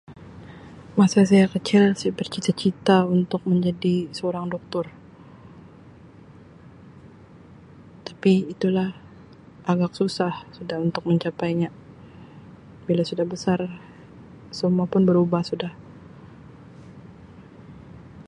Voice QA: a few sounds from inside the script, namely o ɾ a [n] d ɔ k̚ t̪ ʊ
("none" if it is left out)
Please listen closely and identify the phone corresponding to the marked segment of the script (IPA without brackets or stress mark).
ŋ